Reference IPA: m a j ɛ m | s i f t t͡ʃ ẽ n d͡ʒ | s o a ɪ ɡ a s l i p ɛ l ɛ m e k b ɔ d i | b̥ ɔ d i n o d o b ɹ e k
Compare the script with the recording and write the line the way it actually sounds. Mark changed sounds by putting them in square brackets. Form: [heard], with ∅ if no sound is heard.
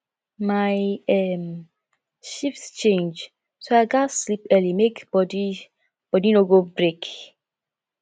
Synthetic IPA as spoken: m a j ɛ m | [ʃ] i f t t͡ʃ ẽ n d͡ʒ | s o a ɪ ɡ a s l i p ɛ l [i] m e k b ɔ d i | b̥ ɔ d i n o [ɡ] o b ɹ e k

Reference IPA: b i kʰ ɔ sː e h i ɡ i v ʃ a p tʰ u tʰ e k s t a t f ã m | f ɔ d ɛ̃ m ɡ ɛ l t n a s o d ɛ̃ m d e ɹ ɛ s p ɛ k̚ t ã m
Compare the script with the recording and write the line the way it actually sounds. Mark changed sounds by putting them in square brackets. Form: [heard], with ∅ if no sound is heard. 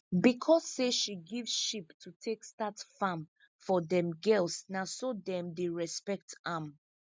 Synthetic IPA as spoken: b i kʰ ɔ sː e [ʃ] i ɡ i v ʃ [i] p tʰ u tʰ e k s t a t f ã m | f ɔ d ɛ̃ m ɡ ɛ l [s] n a s o d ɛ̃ m d e ɹ ɛ s p ɛ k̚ t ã m

